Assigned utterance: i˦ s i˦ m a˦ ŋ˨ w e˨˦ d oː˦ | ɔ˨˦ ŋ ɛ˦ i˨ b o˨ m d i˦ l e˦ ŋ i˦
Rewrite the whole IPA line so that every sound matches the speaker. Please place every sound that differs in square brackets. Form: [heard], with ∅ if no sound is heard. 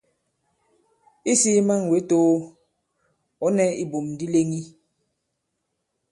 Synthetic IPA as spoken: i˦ s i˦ m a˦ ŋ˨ w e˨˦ [t] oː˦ | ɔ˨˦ [n] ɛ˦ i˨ b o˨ m d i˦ l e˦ ŋ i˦